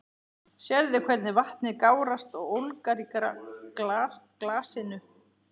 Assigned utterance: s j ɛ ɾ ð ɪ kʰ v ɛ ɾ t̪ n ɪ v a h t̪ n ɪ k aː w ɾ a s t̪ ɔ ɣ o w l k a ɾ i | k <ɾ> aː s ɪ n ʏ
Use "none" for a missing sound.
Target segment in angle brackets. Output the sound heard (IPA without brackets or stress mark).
l